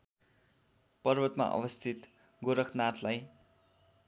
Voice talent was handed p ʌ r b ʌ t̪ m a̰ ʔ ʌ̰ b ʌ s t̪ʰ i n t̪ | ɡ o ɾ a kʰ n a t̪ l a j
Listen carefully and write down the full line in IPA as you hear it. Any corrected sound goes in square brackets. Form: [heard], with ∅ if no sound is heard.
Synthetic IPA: p ʌ r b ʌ t̪ m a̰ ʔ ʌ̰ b ʌ s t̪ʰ i [∅] t̪ | ɡ o ɾ [ʌ] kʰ n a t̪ l a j